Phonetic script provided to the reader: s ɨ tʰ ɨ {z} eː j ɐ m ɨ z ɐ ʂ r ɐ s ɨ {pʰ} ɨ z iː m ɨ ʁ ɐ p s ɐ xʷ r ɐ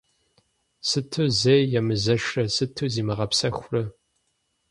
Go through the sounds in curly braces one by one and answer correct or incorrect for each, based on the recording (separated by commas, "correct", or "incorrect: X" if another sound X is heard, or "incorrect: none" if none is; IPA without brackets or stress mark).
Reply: correct, incorrect: tʰ